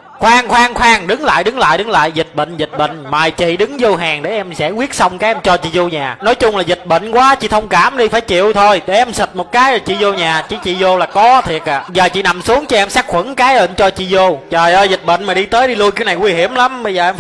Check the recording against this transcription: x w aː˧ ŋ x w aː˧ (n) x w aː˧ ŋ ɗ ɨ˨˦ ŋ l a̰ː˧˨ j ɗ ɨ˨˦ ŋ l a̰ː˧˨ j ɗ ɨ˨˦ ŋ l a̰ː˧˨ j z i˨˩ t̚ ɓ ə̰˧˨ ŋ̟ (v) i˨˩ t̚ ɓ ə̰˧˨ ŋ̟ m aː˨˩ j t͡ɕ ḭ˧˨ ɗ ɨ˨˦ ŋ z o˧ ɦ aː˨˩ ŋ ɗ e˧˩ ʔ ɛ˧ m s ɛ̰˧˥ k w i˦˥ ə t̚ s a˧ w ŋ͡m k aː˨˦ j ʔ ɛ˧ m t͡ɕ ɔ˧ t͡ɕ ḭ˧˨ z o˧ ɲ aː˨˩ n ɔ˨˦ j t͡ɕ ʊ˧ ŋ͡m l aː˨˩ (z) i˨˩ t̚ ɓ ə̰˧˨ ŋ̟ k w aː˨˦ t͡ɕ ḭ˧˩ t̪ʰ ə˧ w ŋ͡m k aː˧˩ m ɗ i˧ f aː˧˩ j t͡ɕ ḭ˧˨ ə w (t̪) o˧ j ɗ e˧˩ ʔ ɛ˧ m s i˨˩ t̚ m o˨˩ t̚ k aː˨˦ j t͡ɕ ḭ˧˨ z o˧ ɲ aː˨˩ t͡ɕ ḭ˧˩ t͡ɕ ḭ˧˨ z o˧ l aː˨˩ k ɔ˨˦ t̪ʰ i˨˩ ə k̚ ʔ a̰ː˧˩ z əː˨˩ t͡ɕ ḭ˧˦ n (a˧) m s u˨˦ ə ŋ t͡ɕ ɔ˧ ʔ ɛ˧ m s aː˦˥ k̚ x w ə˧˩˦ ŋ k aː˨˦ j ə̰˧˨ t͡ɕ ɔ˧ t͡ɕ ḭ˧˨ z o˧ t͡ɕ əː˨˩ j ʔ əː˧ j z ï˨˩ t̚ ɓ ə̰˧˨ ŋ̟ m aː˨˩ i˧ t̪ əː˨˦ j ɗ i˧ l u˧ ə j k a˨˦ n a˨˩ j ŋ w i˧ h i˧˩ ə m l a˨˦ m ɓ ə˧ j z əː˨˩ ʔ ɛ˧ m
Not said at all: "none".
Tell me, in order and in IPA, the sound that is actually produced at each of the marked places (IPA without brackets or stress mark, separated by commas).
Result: ŋ, z, z, t̪ʰ, a˨˩